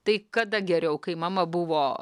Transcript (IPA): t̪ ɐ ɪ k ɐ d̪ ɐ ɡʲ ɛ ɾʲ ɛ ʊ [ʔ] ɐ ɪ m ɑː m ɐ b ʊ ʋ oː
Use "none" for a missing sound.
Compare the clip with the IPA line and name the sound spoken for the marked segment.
k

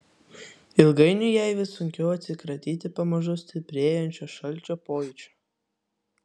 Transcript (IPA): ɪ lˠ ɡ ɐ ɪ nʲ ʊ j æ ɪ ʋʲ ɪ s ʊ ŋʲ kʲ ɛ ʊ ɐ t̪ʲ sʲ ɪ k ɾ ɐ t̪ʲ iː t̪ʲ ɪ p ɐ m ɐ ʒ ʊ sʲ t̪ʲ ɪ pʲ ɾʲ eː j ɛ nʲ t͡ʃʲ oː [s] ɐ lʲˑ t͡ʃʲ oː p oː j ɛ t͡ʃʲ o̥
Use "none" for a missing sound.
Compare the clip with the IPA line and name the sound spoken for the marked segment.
ʃ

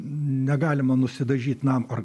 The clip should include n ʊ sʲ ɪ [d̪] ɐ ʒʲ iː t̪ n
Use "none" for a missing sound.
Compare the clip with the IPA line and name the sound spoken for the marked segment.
d̪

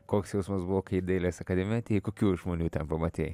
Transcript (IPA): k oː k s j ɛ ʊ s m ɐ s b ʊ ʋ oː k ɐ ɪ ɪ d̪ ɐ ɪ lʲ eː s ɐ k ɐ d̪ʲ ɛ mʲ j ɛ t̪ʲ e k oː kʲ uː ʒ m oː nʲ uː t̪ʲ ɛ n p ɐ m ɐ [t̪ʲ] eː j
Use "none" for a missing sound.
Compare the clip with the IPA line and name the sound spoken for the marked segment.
t̪ʲ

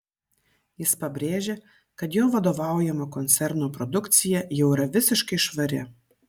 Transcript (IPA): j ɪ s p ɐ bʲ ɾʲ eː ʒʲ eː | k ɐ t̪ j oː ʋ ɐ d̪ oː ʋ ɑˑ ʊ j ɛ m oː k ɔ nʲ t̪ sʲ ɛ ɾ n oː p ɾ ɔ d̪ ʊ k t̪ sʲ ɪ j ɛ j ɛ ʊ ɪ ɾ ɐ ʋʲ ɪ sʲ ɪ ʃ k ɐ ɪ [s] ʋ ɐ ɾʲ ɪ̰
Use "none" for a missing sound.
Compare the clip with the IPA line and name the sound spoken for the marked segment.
ʃ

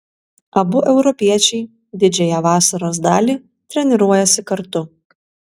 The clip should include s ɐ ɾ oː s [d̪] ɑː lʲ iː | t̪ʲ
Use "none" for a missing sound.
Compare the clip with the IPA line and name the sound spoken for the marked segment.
d̪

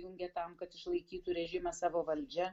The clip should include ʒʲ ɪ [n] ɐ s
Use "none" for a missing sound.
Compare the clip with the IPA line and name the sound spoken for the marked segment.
m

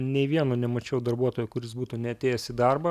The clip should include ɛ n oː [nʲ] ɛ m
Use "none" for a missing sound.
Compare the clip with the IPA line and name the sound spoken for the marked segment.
nʲ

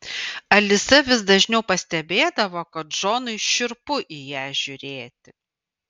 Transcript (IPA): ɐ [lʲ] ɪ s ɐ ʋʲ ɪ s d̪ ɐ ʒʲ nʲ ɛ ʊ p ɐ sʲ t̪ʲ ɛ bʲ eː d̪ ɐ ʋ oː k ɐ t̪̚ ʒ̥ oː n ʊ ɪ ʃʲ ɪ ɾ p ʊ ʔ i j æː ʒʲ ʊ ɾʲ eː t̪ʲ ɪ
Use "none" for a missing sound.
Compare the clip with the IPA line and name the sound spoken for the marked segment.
lʲ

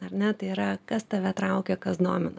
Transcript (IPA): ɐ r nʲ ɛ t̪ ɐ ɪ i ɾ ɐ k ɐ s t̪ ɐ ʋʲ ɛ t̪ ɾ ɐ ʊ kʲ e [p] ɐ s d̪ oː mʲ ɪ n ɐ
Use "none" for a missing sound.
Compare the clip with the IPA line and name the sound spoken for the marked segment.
k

